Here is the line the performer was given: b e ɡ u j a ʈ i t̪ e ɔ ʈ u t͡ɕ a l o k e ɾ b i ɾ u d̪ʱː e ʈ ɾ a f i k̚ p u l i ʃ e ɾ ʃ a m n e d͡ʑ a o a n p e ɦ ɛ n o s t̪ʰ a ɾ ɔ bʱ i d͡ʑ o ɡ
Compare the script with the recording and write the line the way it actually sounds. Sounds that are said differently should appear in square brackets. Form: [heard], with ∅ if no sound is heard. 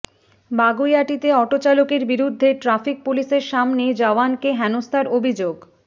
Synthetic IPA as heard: b [a] ɡ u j a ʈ i t̪ e ɔ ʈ [o] t͡ɕ a l o k e ɾ b i ɾ u d̪ʱː e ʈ ɾ a f i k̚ p u l i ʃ e ɾ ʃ a m n e d͡ʑ a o a n [k] e ɦ ɛ n o s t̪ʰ a ɾ [o] bʱ i d͡ʑ o ɡ